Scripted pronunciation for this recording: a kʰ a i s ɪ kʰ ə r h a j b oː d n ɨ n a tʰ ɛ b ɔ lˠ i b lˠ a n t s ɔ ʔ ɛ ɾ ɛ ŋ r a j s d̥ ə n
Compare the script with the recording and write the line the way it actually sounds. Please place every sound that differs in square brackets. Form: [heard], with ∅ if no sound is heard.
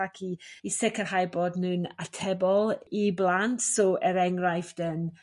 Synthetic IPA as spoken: a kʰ [i] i s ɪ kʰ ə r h a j b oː d n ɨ n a tʰ ɛ b ɔ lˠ i b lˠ a n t s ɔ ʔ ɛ ɾ ɛ ŋ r a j [f] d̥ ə n